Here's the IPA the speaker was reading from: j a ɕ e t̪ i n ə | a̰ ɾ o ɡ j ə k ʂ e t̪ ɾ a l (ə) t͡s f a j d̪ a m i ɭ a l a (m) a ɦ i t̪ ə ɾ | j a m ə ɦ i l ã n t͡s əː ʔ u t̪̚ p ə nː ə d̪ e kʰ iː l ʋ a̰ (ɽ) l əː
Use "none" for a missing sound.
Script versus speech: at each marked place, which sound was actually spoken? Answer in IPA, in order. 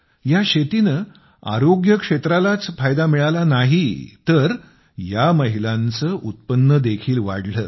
a, n, ɽ

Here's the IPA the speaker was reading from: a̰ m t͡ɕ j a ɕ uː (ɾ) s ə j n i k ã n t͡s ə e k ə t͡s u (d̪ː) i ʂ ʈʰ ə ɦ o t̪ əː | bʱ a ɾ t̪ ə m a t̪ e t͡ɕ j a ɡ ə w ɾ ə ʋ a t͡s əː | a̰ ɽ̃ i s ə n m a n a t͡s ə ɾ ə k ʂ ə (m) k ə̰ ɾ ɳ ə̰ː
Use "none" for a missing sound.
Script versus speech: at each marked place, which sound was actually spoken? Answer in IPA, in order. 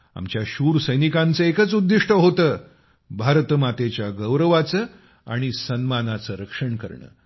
ɾ, d̪ː, ɳ

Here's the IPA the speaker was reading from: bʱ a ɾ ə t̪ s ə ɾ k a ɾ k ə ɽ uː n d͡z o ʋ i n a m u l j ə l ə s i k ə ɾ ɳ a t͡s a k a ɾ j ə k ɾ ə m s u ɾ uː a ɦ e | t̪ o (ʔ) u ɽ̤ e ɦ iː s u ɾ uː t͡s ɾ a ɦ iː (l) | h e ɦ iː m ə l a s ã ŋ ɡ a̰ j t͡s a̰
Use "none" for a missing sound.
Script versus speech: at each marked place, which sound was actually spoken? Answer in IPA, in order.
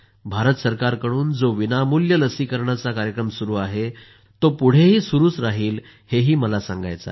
p, l

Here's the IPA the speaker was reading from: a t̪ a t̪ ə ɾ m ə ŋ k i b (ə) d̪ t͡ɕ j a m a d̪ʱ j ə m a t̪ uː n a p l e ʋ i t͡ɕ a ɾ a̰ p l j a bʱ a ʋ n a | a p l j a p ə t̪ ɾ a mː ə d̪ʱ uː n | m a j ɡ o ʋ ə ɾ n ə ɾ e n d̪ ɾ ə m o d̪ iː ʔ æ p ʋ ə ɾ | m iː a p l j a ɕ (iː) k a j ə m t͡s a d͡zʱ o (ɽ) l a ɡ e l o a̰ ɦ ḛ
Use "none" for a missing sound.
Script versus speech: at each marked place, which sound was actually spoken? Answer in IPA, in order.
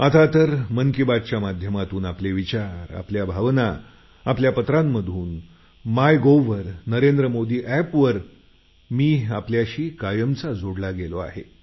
a, iː, ɽ

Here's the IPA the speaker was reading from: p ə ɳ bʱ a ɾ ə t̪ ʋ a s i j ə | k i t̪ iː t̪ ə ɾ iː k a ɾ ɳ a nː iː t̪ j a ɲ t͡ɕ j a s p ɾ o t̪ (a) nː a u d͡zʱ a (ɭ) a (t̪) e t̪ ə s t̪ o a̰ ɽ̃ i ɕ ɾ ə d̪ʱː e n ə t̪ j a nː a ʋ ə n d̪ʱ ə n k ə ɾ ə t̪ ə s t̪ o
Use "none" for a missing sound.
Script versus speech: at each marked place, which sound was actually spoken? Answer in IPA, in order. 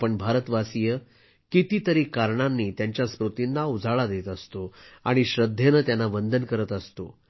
i, ɭ, d̪

